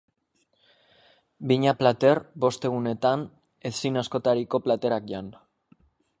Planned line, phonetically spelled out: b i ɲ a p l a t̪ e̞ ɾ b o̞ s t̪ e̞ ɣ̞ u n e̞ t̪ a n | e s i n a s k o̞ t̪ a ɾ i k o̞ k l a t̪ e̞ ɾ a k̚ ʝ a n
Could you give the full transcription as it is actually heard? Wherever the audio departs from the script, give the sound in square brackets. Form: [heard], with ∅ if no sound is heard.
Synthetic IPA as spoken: b i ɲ a p l a t̪ e̞ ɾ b o̞ s t̪ e̞ ɣ̞ u n e̞ t̪ a n | e s i n a s k o̞ t̪ a ɾ i k o̞ [p] l a t̪ e̞ ɾ a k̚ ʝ a n